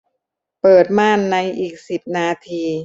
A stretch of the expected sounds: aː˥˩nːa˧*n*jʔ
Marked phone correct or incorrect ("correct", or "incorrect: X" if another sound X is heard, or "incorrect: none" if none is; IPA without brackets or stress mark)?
incorrect: none